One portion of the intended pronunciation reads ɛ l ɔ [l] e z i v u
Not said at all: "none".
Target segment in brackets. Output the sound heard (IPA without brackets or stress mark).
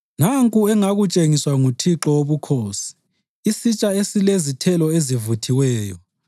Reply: none